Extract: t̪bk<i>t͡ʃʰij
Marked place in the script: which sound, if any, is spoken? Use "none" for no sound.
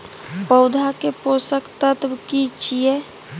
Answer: i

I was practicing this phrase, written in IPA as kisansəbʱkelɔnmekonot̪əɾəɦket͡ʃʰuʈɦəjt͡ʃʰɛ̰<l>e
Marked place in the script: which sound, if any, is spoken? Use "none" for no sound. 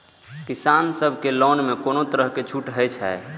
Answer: none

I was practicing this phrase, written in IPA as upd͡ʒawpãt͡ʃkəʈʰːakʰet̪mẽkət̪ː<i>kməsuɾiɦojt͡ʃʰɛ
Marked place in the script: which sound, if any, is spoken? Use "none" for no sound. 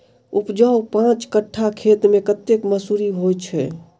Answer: e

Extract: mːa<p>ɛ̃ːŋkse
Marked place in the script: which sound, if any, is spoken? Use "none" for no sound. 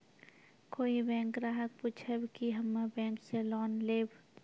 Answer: b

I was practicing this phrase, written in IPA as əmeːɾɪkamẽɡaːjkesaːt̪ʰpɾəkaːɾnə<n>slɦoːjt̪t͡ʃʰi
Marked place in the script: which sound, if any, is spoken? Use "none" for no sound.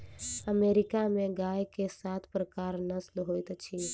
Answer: none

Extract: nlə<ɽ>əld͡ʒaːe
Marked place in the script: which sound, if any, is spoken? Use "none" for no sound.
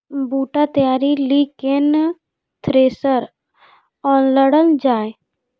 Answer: ɽ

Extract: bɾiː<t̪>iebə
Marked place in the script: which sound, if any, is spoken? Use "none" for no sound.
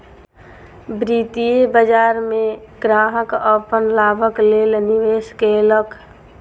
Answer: t̪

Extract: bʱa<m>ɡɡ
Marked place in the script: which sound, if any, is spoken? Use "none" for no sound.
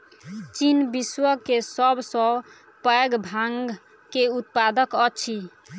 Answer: ŋ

